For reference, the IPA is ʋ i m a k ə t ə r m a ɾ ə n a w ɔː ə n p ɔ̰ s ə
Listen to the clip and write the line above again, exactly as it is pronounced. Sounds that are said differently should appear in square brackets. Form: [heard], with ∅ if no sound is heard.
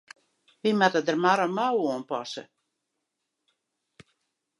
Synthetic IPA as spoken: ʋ i m a [t] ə [d] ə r m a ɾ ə [m] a w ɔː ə n p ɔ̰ s ə

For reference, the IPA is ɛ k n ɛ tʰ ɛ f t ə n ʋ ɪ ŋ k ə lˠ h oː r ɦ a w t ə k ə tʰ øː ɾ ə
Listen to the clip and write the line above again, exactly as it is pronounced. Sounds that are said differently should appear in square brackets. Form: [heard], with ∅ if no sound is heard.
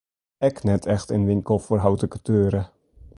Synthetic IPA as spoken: ɛ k n ɛ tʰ ɛ [x] t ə n ʋ ɪ ŋ k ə lˠ [f] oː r ɦ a w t ə k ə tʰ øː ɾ ə

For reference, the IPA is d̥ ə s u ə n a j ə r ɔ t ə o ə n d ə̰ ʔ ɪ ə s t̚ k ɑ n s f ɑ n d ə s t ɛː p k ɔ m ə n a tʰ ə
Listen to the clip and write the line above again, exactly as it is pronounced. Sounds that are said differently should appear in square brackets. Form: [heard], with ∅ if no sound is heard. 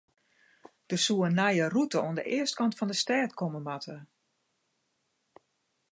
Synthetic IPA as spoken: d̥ ə s u ə n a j ə r [u] t ə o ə n d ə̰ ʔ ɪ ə s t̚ k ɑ n [t] f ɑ n d ə s t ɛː [t] k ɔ m ə [m] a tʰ ə

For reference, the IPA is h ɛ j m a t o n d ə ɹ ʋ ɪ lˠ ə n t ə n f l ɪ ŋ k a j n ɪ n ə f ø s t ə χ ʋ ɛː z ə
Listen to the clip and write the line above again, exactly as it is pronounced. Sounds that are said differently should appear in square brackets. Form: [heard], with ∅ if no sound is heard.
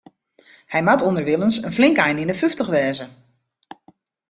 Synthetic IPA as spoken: h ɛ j m a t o n d ə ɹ ʋ ɪ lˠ ə n [s] ə n f l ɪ ŋ k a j n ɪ n ə f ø [f] t ə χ ʋ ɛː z ə

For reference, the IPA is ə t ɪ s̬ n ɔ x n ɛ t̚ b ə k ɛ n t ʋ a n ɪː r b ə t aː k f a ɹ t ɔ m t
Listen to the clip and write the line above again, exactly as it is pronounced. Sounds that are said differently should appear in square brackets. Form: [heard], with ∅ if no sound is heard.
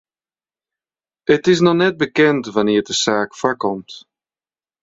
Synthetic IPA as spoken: ə t ɪ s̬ n ɔ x n ɛ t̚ b ə k ɛ n t ʋ a n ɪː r [d] ə [s] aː k f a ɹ [k] ɔ m t

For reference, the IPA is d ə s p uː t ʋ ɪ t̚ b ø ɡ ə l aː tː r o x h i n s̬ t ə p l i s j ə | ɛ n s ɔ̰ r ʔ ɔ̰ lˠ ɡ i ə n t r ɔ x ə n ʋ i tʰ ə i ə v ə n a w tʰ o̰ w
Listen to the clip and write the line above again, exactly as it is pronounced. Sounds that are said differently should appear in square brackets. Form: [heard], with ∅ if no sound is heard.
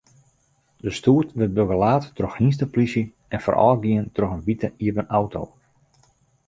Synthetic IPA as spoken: d ə s [t] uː t ʋ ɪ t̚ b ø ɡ ə l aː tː r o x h i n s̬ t ə p l i s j ə | ɛ n [f] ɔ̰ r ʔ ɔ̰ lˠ ɡ i ə n t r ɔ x ə n ʋ i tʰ ə i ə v ə n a w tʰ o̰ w

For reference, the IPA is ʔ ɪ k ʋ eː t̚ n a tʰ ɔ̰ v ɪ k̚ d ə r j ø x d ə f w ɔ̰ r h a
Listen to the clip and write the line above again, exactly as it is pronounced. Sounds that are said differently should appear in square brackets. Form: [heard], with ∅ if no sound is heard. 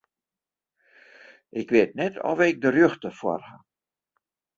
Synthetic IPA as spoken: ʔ ɪ k ʋ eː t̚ n [ɛ] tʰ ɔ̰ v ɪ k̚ d ə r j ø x [t] ə f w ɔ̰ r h a

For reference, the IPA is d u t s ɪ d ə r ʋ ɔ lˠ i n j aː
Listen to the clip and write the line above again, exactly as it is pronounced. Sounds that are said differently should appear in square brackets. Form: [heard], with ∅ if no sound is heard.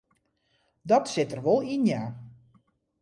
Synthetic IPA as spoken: d [ɔ] t s ɪ [t] ə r ʋ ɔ lˠ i n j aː

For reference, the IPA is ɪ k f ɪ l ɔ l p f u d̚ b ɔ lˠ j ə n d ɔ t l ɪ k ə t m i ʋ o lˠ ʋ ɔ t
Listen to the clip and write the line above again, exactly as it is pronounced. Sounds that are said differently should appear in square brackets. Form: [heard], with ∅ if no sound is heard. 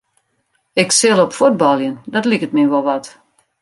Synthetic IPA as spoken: ɪ k [s] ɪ l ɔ [∅] p f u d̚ b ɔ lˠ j ə n d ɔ t l [i] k ə t m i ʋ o lˠ ʋ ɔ t

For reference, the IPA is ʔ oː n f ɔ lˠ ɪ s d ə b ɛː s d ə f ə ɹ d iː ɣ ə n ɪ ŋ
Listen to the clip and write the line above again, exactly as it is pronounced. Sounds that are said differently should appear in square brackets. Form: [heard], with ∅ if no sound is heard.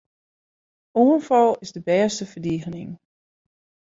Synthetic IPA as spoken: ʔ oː n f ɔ lˠ ɪ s d ə b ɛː s [t] ə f ə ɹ d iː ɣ ə n ɪ ŋ

